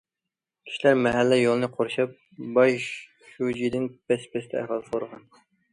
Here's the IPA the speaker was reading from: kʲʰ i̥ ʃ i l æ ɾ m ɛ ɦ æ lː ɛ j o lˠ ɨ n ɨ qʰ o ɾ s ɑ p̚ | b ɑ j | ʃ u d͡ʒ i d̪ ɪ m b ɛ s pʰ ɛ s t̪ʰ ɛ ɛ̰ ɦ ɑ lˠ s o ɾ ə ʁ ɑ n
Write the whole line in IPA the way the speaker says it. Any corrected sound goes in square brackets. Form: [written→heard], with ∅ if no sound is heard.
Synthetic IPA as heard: kʲʰ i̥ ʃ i l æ ɾ m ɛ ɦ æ lː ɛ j o lˠ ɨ n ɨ qʰ o ɾ [s→ʃ] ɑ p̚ | b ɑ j | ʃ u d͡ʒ i d̪ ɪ [m→n] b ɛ s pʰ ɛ s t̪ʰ ɛ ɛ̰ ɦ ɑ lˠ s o ɾ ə ʁ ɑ n